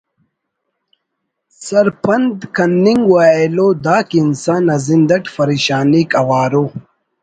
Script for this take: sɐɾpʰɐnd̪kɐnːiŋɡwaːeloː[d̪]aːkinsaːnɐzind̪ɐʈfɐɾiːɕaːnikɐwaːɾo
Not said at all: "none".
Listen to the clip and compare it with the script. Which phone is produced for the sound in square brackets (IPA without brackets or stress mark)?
d̪